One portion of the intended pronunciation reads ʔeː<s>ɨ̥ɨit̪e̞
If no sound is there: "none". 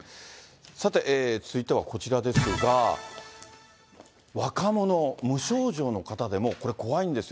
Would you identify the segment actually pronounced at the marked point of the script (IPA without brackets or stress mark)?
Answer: t͡s